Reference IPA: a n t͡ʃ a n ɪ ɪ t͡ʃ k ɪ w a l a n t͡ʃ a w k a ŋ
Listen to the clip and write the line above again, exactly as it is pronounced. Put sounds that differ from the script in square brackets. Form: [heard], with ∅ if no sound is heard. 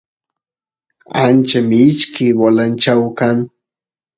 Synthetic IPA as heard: a n t͡ʃ a [m] ɪ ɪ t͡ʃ k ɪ w a l a n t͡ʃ a w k a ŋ